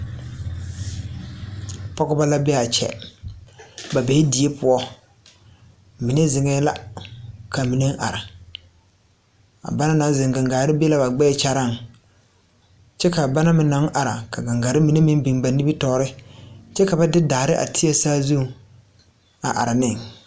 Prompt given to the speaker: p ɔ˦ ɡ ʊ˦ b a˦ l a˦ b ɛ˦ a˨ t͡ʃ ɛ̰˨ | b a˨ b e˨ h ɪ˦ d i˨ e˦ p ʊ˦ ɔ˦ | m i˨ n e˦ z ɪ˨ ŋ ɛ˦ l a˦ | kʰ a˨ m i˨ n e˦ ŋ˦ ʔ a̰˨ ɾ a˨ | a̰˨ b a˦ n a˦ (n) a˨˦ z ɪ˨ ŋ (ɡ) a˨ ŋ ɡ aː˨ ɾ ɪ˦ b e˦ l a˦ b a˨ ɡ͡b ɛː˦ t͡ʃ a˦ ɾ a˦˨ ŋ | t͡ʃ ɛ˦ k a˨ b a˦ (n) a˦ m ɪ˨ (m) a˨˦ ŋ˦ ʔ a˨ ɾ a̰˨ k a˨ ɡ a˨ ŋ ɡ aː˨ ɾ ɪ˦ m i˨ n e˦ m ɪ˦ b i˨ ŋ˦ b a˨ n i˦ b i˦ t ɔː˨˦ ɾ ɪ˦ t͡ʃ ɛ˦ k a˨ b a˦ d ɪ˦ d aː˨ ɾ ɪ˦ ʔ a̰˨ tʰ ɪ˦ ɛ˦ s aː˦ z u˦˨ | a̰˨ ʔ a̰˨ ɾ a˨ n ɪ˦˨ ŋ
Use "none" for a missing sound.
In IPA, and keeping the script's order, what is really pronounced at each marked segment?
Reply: n, ɡ, n, n

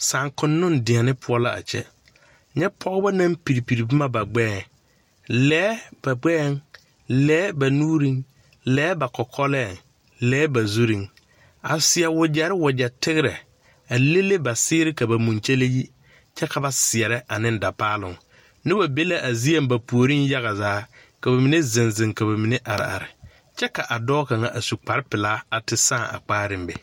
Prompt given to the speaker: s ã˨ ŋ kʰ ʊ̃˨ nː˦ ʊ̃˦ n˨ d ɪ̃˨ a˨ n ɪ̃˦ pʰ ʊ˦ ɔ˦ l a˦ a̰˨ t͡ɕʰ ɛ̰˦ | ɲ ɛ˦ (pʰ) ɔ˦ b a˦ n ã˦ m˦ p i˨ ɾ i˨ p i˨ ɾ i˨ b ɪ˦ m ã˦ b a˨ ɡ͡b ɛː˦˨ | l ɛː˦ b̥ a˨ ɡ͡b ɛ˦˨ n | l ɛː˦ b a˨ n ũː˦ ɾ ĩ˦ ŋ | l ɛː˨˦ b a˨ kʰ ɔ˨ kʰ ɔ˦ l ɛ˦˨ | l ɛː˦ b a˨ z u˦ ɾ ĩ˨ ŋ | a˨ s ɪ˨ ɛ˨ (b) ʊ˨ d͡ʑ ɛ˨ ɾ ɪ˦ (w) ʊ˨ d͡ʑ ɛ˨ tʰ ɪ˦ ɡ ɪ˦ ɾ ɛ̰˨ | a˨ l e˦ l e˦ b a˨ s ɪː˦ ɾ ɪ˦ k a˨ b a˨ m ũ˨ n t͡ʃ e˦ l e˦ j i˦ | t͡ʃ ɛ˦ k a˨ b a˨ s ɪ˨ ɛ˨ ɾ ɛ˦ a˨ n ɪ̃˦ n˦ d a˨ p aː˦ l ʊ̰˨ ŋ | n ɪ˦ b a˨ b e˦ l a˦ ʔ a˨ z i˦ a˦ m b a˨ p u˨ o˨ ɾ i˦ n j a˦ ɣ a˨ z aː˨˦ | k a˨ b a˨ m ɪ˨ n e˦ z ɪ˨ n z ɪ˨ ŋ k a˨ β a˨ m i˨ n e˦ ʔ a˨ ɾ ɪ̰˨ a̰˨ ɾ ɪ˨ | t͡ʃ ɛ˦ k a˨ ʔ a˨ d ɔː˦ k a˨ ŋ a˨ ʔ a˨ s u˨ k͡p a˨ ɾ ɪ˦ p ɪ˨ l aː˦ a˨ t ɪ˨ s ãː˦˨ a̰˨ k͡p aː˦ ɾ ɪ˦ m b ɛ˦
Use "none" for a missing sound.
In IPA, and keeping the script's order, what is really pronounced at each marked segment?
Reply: pʰ, w, w

